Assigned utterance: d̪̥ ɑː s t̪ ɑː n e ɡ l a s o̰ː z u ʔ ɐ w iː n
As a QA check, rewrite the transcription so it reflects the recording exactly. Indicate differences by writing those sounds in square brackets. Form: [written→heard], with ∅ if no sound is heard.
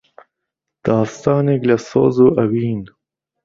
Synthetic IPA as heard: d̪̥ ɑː s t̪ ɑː n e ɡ l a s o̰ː z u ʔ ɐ w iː n